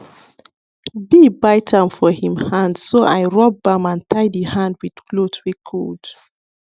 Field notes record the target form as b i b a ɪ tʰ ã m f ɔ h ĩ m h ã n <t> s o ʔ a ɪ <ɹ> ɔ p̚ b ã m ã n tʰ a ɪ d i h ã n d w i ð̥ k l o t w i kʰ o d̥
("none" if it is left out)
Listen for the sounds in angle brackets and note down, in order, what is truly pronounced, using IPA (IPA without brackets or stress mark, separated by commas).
d, ɹ